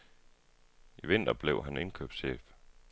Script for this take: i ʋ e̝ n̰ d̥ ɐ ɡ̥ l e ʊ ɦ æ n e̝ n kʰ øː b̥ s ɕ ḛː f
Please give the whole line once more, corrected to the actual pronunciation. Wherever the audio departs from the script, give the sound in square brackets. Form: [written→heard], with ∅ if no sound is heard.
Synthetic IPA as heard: i ʋ e̝ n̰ d̥ ɐ [ɡ̥→b̥] l e ʊ ɦ æ n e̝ n kʰ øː b̥ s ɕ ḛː f